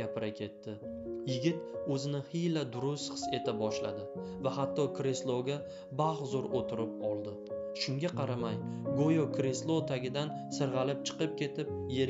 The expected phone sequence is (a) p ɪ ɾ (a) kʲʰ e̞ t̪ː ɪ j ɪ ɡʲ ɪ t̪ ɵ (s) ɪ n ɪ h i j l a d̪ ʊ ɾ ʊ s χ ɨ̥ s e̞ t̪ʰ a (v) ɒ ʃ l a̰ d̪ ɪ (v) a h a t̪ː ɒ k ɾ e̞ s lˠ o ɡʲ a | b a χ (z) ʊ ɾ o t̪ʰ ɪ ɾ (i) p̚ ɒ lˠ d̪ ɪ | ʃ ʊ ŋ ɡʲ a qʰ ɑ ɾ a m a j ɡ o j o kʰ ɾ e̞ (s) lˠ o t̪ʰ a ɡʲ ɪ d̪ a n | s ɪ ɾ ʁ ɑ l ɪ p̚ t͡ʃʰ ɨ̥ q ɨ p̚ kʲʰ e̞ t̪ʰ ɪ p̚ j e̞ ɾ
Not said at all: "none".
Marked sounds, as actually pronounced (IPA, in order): a, a, z, b, v, z, ɪ, s

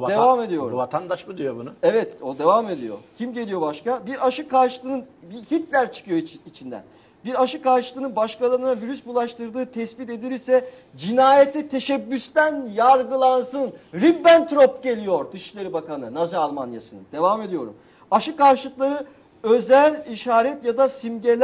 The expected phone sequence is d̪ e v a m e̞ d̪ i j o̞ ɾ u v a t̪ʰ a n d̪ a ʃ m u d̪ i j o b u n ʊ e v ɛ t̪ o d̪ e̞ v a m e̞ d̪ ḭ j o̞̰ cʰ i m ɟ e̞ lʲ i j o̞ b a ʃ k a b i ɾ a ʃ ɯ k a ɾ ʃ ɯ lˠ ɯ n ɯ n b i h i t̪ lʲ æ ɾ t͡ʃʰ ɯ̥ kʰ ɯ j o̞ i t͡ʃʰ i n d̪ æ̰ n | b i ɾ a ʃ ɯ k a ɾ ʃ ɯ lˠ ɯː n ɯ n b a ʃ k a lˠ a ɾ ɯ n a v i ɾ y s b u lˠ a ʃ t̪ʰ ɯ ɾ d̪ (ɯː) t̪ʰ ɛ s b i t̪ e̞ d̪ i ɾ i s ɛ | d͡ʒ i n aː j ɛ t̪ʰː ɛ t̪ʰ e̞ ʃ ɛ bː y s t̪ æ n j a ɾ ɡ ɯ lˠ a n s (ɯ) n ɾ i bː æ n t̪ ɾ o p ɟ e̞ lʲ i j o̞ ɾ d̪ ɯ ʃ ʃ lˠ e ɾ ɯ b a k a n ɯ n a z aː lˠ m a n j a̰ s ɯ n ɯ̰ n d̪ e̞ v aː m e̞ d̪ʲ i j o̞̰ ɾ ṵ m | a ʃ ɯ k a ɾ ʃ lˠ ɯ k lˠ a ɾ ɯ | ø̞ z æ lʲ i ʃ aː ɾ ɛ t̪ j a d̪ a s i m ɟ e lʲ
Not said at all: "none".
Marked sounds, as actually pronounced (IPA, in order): ɯː, ɯ

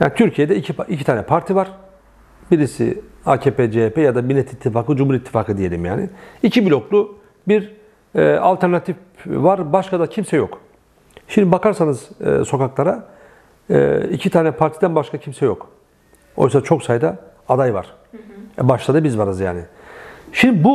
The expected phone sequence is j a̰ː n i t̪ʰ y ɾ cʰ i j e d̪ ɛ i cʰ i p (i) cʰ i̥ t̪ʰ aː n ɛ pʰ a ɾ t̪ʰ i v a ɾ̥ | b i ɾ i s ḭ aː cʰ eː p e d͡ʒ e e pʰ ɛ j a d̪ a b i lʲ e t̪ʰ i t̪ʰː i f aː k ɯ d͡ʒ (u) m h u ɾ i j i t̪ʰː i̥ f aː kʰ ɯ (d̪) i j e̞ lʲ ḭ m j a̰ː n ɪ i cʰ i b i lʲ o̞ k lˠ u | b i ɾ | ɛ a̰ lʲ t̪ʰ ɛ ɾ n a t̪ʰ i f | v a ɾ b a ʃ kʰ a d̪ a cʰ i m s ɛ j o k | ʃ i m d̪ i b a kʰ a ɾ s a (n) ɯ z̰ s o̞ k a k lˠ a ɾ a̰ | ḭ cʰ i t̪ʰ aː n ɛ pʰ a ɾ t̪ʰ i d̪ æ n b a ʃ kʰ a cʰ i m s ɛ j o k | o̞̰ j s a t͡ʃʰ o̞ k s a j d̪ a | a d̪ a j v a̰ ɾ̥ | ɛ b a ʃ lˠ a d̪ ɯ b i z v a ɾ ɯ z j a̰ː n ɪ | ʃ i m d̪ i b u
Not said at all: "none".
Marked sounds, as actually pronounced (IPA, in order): i, u, d̪, n

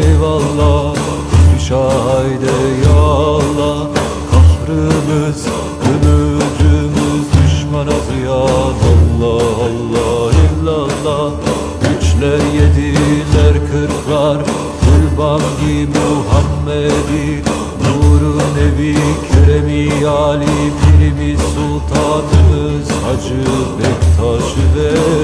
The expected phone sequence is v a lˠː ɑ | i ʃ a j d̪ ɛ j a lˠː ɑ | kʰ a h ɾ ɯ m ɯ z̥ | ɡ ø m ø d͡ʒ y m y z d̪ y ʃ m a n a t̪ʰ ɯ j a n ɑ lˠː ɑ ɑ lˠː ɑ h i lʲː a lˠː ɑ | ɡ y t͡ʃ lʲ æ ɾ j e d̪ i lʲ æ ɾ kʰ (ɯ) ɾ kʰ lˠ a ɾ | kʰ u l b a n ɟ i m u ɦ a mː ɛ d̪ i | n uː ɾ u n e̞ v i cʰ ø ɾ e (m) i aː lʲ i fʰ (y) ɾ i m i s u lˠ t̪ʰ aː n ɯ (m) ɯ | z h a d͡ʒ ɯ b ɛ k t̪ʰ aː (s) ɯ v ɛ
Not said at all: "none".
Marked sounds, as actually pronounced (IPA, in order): ɯ, m, i, m, ʃ

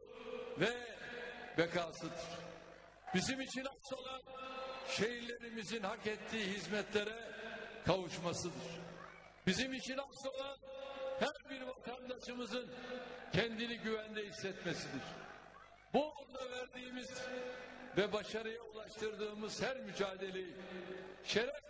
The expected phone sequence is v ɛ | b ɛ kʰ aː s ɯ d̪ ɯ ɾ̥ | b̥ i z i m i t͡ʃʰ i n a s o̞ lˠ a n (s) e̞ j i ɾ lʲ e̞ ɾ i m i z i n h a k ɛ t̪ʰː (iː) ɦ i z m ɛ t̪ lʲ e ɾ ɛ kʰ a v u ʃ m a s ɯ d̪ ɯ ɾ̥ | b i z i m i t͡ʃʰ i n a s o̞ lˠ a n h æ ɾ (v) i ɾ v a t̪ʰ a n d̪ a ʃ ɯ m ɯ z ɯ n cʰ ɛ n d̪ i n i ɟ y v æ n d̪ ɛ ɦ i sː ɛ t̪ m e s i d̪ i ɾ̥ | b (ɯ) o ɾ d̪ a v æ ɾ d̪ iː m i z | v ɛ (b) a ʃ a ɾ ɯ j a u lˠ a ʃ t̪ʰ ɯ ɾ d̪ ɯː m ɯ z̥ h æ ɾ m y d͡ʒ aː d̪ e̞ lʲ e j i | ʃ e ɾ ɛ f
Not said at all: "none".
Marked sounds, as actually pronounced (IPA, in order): ʃ, iː, b, u, b

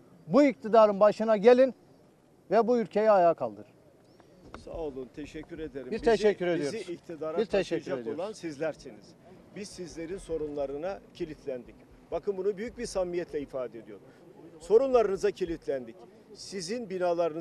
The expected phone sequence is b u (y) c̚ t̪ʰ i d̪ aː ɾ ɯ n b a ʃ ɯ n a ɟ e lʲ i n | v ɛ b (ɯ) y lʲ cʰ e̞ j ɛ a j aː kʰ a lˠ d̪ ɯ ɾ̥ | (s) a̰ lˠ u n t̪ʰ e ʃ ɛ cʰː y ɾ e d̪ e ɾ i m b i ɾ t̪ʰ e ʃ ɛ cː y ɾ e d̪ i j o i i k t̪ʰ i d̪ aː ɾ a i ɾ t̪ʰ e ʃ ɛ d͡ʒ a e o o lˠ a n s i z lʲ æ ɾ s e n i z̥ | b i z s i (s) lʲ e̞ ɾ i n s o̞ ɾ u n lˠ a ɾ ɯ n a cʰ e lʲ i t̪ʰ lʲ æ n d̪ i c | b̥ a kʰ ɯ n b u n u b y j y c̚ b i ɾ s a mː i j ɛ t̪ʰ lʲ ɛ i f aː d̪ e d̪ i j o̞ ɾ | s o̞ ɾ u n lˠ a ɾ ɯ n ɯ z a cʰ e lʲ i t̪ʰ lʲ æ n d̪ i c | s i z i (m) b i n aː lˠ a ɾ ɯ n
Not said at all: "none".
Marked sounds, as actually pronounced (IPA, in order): i, u, s, z, n

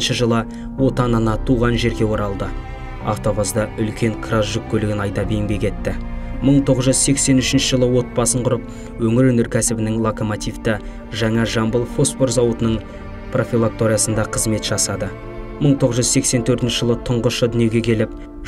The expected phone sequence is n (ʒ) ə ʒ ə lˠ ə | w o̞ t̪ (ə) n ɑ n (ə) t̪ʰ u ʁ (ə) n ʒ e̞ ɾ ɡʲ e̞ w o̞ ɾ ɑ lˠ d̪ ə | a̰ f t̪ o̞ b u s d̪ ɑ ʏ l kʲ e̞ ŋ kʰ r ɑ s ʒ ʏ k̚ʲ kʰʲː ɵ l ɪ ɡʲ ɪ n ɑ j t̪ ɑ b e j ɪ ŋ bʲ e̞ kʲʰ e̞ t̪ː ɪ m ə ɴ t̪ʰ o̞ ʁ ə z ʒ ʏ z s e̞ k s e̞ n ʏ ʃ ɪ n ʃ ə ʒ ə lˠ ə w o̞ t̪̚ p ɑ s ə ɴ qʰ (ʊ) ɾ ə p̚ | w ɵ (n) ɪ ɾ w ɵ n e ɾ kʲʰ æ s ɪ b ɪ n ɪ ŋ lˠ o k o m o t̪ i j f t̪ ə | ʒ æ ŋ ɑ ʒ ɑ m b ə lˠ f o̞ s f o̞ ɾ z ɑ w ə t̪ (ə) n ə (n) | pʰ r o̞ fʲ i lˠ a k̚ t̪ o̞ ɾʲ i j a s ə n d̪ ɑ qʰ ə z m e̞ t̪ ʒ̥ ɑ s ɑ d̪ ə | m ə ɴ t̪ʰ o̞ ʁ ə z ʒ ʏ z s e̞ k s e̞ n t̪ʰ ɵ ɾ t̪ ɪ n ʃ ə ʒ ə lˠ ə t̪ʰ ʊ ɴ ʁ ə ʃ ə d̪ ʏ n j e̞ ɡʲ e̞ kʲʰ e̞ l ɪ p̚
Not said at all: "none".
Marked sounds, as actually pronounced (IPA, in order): ʃ, ɑ, ɑ, ɑ, ʊ, ŋ, ə, ɴ

